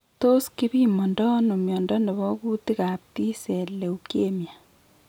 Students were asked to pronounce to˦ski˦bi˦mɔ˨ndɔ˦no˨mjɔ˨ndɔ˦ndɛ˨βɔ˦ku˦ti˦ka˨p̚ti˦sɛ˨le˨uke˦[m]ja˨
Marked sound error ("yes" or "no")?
no